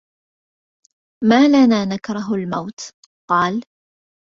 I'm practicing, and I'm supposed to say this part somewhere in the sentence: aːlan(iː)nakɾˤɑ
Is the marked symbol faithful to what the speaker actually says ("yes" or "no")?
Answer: no